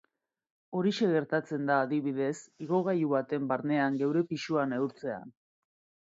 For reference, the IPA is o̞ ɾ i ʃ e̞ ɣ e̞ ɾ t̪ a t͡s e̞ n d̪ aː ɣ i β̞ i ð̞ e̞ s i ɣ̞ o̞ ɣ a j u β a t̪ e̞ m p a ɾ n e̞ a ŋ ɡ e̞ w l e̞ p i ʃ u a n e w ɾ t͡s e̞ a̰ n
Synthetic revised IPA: o̞ ɾ i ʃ e̞ ɣ e̞ ɾ t̪ a t͡s e̞ n d̪ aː ð i β̞ i ð̞ e̞ s i ɣ̞ o̞ ɣ a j u β a t̪ e̞ m b a ɾ n e̞ a ŋ ɡ e̞ w ɾ e̞ p i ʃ u a n e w ɾ t͡s e̞ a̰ n